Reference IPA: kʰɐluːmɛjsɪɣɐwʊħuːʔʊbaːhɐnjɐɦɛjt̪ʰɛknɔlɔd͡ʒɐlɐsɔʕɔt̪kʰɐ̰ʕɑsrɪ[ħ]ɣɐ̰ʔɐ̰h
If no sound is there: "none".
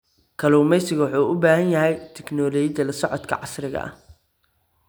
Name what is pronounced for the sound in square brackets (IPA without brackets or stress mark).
none